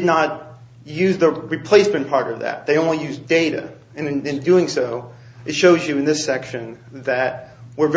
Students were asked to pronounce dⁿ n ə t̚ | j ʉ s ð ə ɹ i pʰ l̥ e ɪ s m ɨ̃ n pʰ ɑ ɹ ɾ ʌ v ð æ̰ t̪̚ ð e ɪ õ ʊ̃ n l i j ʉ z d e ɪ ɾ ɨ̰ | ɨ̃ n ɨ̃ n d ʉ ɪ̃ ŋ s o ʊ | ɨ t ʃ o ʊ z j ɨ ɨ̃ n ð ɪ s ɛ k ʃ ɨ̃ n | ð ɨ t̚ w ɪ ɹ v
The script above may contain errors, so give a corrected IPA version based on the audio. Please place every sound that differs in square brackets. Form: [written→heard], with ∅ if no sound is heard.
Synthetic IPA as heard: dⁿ n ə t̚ | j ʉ [s→z] ð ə ɹ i pʰ l̥ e ɪ s m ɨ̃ n pʰ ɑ ɹ ɾ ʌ v ð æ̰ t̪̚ ð e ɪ õ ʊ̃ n l i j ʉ z d e ɪ ɾ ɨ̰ | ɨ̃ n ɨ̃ n d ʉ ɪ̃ ŋ s o ʊ | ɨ t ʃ o ʊ z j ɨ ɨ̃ n ð ɪ s ɛ k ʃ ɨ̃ n | ð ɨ t̚ w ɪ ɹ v